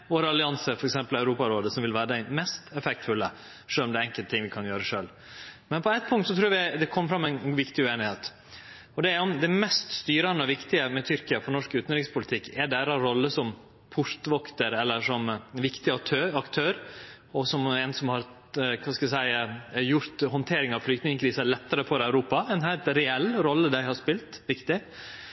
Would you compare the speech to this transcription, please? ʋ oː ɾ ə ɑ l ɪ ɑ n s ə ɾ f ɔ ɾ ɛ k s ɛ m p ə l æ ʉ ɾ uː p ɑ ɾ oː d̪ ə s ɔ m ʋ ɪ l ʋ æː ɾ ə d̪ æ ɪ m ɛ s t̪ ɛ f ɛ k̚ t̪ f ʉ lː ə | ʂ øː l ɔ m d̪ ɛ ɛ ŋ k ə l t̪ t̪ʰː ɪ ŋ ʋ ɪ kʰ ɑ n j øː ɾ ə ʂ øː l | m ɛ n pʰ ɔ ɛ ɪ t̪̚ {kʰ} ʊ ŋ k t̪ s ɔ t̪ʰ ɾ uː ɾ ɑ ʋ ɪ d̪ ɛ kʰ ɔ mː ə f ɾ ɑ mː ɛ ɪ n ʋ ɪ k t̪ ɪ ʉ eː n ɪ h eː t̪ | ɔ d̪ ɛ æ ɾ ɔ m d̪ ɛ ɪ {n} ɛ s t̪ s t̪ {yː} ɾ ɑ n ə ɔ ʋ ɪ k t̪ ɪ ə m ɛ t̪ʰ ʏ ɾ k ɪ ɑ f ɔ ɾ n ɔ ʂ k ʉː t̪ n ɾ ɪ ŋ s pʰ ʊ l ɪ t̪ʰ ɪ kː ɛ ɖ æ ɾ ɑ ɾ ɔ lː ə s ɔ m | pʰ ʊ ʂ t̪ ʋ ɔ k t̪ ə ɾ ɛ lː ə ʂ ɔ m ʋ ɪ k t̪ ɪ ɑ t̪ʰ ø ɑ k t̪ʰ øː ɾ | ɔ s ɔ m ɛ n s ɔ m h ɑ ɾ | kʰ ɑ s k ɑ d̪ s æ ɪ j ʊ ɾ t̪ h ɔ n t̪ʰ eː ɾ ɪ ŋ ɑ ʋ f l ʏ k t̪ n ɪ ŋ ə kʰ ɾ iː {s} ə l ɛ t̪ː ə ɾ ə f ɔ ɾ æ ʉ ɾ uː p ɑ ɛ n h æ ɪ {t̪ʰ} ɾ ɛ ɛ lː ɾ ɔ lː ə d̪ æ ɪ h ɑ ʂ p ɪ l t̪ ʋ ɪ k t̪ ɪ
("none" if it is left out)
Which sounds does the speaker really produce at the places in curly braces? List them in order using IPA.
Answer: pʰ, m, yː, s, t̪

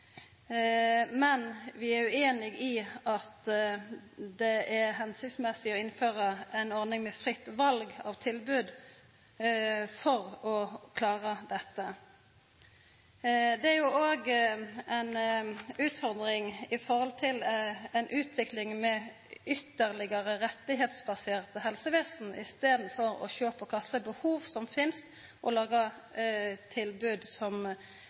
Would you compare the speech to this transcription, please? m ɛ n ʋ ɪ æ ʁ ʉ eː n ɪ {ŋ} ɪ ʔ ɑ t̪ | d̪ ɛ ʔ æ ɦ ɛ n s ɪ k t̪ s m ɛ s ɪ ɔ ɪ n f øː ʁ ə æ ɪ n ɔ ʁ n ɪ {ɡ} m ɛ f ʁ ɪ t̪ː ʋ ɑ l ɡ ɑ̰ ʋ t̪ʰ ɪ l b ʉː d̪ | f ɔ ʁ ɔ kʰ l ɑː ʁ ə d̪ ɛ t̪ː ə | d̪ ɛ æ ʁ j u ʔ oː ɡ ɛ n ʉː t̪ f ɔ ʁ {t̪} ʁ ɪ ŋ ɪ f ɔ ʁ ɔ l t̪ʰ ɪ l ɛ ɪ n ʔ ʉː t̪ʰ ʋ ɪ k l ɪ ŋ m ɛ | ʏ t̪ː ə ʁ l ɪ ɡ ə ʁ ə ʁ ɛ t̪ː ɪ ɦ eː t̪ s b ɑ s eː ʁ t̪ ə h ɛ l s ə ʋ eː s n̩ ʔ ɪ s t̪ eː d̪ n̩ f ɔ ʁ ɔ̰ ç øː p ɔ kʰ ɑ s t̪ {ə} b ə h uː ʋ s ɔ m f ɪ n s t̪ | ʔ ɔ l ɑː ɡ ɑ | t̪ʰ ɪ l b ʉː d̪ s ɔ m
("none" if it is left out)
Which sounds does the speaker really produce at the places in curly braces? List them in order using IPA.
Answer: ɡ, ŋ, d̪, ə

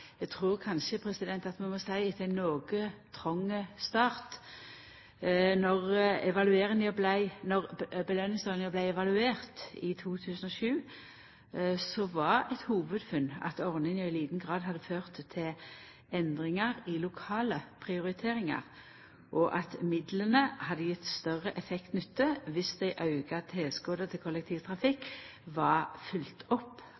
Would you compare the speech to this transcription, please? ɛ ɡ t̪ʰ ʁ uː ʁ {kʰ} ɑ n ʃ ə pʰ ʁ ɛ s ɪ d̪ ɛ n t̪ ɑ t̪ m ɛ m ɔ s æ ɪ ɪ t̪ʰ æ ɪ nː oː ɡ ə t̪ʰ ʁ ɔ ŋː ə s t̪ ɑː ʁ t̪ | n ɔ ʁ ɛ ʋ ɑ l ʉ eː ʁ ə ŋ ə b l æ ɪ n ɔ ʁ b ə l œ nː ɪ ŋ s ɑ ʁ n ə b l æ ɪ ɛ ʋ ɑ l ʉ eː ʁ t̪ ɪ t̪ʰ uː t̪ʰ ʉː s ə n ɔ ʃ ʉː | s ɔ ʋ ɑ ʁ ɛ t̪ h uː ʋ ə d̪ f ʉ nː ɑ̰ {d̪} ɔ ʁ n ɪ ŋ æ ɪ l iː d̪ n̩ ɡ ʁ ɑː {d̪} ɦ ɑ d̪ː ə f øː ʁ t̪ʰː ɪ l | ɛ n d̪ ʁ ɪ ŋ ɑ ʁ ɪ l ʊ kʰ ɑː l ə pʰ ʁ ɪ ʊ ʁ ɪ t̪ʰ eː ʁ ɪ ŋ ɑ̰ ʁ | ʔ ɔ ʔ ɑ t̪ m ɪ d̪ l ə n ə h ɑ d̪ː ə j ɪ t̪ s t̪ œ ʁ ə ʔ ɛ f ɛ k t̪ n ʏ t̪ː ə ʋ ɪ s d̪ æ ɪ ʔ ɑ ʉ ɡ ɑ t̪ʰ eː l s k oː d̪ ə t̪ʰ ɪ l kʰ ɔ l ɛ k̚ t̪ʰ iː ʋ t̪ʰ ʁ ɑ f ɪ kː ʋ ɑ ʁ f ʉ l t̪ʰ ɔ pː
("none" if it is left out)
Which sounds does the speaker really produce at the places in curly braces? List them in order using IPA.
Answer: kʰ, t̪, d̪

